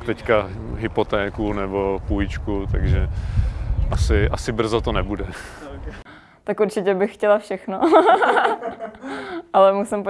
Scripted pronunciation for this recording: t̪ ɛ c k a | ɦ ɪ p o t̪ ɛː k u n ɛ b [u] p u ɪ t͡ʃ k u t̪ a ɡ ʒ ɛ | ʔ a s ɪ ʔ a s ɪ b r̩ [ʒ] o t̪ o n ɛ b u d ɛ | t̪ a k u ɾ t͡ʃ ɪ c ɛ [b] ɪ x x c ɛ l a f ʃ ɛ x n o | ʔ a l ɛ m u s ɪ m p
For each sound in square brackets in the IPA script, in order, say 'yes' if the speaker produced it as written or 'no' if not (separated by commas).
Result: no, no, yes